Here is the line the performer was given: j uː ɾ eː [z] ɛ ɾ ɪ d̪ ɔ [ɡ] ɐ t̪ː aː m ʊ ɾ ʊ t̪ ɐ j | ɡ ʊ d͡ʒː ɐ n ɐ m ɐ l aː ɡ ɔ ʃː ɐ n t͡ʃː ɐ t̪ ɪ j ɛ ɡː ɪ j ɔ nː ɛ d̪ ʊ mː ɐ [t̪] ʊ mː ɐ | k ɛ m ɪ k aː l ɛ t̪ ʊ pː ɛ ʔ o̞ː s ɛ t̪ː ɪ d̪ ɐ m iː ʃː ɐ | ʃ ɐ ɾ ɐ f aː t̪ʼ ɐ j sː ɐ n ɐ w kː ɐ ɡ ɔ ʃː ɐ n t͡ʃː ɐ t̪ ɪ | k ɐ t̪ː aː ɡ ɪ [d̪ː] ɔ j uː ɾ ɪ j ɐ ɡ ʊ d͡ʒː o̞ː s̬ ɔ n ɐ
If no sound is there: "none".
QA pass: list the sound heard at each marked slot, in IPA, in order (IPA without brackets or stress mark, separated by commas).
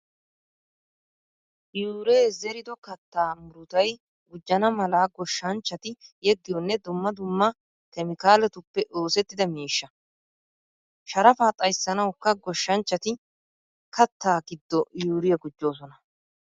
z, k, d̪, d̪ː